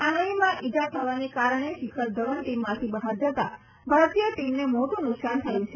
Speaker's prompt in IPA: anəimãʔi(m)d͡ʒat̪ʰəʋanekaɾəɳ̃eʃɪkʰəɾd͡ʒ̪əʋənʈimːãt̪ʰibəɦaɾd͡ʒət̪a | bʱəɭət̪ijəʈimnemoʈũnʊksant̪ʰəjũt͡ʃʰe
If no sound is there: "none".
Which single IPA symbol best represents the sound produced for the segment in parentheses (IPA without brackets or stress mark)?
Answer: none